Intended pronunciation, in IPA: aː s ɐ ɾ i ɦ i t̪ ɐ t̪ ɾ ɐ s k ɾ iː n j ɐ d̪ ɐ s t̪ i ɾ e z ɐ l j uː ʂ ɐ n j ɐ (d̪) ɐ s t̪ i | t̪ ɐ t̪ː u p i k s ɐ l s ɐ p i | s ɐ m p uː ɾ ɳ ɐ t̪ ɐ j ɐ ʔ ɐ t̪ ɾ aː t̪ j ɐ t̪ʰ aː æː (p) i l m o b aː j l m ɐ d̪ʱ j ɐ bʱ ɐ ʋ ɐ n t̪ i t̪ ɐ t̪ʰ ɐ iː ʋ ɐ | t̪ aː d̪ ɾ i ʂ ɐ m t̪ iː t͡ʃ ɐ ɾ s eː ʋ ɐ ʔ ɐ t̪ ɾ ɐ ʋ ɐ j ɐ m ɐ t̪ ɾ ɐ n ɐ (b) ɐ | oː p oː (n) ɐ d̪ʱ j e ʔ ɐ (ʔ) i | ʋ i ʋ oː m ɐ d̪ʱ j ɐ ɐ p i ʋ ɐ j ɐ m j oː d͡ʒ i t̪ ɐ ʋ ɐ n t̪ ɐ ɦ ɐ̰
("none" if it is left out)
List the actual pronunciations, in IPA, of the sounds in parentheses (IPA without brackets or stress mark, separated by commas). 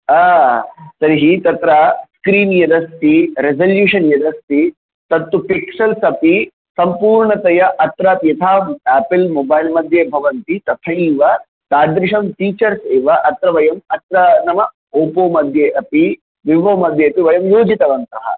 d̪, p, m, m, p